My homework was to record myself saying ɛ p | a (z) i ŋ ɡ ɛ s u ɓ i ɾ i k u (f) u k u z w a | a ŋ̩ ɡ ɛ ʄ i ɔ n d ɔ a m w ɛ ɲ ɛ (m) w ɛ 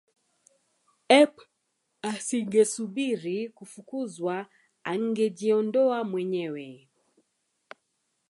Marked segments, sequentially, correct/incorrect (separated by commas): incorrect, correct, incorrect